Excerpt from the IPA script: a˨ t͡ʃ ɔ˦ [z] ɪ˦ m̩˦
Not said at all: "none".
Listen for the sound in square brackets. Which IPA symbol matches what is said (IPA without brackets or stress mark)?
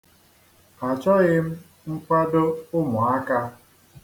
ɣ